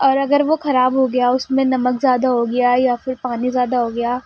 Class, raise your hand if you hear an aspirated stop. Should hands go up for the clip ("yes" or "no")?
no